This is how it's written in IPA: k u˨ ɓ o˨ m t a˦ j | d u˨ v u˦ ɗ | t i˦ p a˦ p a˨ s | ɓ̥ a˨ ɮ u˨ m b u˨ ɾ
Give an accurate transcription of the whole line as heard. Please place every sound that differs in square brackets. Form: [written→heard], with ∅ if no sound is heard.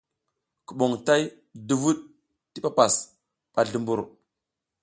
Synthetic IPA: k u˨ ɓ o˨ [m→ŋ] t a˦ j | d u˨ v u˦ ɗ | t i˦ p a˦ p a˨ s | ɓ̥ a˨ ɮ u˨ m b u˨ ɾ

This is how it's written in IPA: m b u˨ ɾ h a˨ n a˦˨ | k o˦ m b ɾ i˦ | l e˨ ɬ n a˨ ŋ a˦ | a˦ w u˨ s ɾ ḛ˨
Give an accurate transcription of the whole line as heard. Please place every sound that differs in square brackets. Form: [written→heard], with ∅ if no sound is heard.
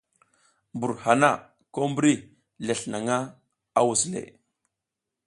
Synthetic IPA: m b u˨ ɾ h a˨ n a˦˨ | k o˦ m b ɾ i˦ | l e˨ ɬ n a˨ ŋ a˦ | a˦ w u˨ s [ɾ→l] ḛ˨

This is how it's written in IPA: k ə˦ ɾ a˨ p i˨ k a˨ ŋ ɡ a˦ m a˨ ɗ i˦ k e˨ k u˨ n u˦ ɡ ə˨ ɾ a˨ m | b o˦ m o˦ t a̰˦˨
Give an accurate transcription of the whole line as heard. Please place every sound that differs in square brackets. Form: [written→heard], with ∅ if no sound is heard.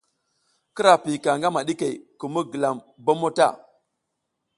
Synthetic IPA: k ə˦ ɾ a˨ p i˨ k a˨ ŋ ɡ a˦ m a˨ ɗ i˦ k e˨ k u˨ [n→m] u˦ ɡ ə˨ [ɾ→l] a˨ m | b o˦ m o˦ t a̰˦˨

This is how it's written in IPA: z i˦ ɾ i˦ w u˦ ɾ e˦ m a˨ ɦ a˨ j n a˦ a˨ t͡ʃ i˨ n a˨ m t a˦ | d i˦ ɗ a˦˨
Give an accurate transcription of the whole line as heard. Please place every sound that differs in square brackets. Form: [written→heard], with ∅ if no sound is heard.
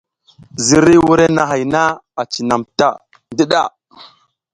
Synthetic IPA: z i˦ ɾ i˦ w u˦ ɾ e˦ [m→n] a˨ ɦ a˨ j n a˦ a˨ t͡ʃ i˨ n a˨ m t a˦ | d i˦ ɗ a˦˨

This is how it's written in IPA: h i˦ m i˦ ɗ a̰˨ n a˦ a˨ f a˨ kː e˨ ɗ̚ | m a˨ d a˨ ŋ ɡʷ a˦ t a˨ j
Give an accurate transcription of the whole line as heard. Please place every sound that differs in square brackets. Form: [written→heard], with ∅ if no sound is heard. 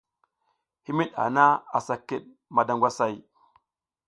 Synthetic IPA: h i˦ m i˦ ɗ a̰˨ n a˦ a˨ [f→s] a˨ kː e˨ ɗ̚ | m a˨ d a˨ ŋ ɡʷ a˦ [t→s] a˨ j

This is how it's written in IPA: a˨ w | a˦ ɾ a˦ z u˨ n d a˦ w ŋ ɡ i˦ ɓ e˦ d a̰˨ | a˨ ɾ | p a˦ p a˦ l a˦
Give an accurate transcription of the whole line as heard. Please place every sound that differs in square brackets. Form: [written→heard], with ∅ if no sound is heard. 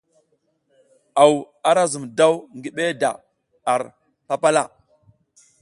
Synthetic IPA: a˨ w | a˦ ɾ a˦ z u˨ [n→m] d a˦ w ŋ ɡ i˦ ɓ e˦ d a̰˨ | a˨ ɾ | p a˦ p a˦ l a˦

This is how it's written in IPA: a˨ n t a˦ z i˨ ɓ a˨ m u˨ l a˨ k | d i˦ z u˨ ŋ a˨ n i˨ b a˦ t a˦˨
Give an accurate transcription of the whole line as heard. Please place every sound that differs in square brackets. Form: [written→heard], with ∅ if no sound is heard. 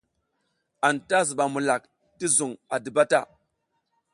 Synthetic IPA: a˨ n t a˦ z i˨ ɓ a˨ m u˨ l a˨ k | [d→t] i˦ z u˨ ŋ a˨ [n→d] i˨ b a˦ t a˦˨

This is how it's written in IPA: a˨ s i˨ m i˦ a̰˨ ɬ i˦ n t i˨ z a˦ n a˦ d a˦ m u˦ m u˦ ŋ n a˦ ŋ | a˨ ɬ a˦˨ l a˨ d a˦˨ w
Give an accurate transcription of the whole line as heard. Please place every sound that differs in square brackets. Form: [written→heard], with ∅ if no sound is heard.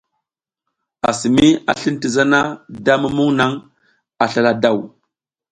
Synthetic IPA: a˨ s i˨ m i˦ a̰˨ ɬ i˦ n t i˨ z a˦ n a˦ d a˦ m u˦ m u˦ ŋ n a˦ ŋ | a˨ ɬ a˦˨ l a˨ d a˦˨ w

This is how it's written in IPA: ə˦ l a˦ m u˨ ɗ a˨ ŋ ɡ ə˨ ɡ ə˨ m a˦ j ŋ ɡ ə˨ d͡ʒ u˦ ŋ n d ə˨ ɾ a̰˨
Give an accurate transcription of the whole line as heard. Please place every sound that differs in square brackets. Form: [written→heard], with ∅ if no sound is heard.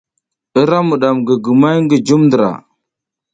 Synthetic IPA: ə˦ [l→ɾ] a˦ m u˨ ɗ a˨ [ŋ→m] ɡ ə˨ ɡ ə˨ m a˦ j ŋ ɡ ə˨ d͡ʒ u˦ [ŋ→m] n d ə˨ ɾ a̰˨

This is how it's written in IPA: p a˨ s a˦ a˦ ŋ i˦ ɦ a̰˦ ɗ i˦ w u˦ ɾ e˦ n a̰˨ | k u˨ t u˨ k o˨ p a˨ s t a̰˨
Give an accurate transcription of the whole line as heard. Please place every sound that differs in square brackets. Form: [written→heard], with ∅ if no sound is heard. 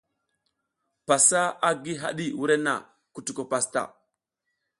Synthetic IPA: p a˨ s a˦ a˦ [ŋ→ɡ] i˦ ɦ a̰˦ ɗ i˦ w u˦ ɾ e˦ n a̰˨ | k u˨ t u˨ k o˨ p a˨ s t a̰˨

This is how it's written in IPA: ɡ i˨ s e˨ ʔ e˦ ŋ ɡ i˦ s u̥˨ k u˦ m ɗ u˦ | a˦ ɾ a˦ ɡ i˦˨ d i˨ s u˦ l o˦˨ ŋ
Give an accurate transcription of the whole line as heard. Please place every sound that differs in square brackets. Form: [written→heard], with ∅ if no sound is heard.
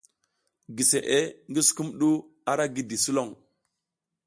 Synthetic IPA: ɡ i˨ s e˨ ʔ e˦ ŋ ɡ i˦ s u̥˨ k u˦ m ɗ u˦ | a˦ ɾ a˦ ɡ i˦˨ d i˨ s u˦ l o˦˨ ŋ

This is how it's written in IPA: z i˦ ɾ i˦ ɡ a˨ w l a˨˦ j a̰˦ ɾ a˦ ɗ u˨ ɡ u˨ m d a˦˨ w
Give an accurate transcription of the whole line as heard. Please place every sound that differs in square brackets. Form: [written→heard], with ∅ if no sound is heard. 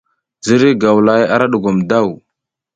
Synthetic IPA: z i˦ ɾ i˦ ɡ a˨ w l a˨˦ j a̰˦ ɾ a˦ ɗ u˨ ɡ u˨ m d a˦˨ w

